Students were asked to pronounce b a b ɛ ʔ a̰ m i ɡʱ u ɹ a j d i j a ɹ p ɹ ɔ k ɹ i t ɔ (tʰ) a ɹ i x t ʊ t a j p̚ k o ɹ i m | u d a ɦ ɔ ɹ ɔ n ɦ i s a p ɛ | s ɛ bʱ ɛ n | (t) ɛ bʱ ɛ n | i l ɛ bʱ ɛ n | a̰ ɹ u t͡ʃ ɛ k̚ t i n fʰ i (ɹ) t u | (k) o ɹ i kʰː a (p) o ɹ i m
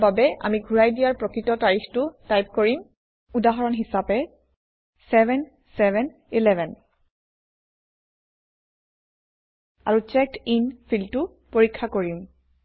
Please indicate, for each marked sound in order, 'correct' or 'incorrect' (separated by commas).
incorrect, incorrect, incorrect, incorrect, incorrect